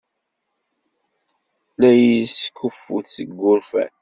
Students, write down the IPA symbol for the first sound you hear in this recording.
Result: l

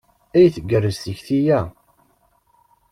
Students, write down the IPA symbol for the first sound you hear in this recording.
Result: æ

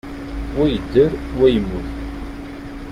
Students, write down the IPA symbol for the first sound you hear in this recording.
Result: w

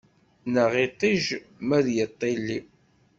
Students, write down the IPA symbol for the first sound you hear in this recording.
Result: n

